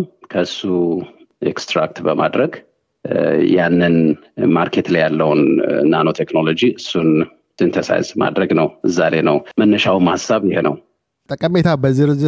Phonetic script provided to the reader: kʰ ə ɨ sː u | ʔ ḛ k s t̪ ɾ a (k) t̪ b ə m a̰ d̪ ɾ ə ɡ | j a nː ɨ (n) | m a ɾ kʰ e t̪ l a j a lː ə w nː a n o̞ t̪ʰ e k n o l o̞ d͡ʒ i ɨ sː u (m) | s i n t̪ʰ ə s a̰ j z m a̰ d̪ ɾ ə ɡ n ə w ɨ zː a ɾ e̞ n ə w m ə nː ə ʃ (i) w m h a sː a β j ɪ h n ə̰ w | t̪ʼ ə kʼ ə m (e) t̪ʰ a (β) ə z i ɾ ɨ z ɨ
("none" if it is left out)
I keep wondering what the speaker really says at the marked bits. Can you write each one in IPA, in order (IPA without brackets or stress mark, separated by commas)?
k, n, n, a, e, b